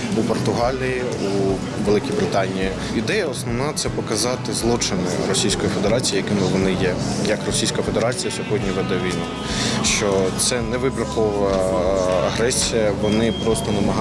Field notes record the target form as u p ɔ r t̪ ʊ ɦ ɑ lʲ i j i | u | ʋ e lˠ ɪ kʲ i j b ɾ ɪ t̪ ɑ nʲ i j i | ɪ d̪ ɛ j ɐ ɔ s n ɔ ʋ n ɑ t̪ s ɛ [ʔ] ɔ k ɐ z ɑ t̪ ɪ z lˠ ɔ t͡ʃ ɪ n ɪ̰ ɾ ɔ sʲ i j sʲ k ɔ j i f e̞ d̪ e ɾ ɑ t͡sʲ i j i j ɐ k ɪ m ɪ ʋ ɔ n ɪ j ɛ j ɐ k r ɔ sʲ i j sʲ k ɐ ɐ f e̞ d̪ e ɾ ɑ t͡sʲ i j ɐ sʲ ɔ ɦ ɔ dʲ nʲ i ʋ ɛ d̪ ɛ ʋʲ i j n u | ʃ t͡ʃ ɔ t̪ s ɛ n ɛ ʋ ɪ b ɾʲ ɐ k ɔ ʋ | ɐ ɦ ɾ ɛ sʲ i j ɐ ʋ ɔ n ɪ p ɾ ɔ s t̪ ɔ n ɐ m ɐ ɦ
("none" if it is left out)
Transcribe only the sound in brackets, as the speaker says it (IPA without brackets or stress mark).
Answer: p